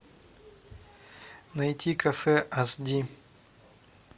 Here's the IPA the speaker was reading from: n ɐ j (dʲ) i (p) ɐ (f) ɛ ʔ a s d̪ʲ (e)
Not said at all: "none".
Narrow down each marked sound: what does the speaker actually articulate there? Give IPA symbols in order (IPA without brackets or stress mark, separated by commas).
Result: tʲ, k, f, i